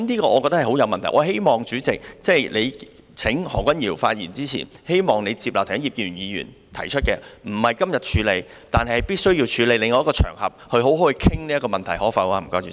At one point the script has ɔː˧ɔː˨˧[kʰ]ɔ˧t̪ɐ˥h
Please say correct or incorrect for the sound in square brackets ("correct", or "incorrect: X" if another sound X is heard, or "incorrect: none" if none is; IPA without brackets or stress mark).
incorrect: k